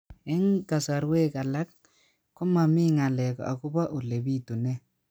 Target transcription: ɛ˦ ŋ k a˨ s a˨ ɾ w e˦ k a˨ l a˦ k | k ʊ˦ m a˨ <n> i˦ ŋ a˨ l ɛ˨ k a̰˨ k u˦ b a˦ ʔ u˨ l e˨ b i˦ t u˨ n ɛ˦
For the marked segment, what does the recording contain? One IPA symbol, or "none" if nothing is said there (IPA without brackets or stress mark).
m